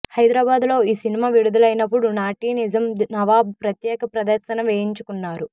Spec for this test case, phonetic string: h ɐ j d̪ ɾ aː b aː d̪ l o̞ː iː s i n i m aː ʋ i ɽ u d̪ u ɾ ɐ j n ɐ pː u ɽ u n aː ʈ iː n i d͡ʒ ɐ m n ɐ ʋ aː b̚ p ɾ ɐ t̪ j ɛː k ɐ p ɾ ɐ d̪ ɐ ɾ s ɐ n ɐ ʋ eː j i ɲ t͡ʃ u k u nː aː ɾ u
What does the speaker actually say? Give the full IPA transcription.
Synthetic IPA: h ɐ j d̪ ɾ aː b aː d̪ l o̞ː iː s i n i m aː ʋ i ɽ u d̪ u l ɐ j n ɐ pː u ɽ u n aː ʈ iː n i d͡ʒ ɐ m n ɐ ʋ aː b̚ p ɾ ɐ t̪ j ɛː k ɐ p ɾ ɐ d̪ ɐ ɾ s ɐ n ɐ ʋ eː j i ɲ t͡ʃ u k u nː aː ɾ u